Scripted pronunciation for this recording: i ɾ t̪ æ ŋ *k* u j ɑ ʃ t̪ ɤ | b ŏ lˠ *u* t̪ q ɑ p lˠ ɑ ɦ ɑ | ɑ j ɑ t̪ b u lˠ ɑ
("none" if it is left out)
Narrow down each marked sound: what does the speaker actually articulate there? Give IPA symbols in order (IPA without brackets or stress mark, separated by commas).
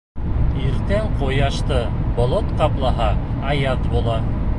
q, o